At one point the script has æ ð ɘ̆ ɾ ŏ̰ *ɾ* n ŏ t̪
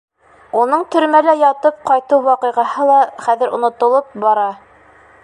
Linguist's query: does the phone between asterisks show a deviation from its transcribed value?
yes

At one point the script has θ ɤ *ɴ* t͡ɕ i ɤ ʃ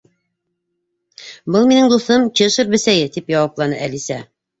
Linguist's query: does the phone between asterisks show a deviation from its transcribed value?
yes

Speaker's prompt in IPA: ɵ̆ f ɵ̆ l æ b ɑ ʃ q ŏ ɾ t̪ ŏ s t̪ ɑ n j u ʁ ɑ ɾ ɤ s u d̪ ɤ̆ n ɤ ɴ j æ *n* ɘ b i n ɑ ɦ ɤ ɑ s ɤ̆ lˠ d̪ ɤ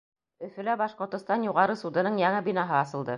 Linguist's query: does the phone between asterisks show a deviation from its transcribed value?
yes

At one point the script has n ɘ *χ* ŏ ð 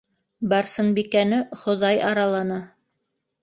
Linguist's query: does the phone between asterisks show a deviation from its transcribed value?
no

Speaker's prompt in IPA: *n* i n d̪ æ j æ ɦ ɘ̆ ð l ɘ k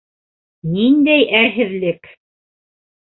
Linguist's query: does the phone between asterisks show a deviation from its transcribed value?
no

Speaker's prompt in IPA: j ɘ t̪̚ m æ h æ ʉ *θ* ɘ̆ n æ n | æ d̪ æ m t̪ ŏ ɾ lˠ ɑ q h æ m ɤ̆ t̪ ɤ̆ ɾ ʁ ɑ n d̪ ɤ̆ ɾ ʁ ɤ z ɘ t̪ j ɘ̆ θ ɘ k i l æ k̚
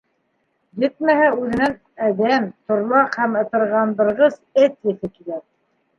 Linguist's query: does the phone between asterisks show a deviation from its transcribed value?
yes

